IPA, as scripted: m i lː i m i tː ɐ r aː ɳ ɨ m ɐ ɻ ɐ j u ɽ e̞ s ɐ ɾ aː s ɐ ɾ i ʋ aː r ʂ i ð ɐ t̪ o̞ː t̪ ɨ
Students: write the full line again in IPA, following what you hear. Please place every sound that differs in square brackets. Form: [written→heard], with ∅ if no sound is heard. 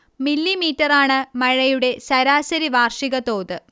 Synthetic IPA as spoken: m i lː i m [i→iː] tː ɐ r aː ɳ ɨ m ɐ ɻ ɐ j u ɽ e̞ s ɐ ɾ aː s ɐ ɾ i ʋ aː r ʂ i [ð→ɣ] ɐ t̪ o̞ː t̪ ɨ